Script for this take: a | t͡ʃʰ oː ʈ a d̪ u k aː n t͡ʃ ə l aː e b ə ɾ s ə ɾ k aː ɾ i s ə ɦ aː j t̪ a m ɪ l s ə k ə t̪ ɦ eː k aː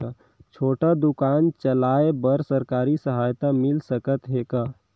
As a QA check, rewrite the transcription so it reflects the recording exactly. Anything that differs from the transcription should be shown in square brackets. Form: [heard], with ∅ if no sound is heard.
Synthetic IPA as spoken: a | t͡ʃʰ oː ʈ a d̪ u k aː n t͡ʃ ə l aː e b ə ɾ s ə ɾ k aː ɾ i s ə ɦ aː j t̪ a m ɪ l s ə k ə t̪ ɦ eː k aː